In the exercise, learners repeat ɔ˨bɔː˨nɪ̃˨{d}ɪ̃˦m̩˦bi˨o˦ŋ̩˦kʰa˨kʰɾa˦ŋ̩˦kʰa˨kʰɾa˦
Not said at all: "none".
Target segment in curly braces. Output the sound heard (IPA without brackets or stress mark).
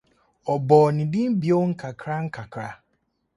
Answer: d